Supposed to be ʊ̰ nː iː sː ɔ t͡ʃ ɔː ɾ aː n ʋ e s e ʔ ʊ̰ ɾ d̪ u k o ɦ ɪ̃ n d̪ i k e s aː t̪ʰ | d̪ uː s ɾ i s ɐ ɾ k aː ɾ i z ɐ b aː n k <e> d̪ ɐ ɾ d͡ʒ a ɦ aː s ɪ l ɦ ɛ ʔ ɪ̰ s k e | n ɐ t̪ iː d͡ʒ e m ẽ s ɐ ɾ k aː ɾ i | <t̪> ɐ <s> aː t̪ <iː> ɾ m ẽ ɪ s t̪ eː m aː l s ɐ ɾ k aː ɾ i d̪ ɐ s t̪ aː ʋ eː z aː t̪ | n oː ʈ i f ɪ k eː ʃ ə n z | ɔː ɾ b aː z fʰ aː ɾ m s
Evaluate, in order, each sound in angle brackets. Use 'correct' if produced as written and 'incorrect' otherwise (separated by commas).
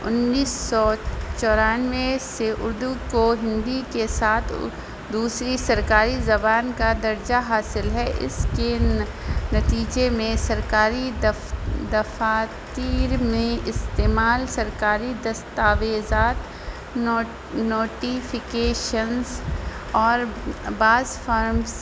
incorrect, incorrect, incorrect, correct